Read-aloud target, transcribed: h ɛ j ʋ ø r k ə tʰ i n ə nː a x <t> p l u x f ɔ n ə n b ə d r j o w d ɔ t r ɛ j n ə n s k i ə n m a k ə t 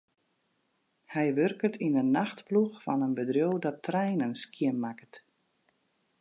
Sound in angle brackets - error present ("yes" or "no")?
no